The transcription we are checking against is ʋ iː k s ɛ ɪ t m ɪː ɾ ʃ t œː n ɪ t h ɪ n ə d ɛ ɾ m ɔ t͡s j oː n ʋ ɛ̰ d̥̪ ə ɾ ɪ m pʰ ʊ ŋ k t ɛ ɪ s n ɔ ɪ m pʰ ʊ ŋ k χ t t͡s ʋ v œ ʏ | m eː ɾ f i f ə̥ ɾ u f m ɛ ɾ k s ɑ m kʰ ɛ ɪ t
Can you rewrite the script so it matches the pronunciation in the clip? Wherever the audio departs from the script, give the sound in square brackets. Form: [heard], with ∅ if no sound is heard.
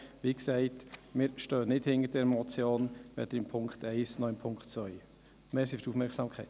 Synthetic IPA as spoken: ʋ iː k s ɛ ɪ t m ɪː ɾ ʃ t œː n ɪ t h ɪ n ə d ɛ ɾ m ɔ t͡s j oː n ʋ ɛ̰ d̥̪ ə ɾ ɪ m pʰ ʊ ŋ k t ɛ ɪ s n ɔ ɪ m pʰ ʊ ŋ k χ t t͡s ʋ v œ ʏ | m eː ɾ [s] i f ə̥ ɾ u f m ɛ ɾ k s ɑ m kʰ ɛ ɪ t